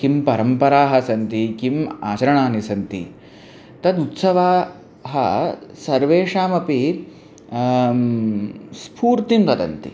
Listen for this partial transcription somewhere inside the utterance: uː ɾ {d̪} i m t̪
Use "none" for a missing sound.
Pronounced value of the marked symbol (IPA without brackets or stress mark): t̪